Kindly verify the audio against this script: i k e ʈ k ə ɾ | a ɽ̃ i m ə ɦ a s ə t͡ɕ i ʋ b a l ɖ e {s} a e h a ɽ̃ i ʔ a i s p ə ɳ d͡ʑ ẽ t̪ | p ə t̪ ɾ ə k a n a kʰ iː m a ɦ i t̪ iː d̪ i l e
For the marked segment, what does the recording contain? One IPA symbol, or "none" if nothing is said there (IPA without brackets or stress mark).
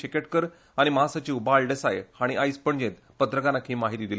s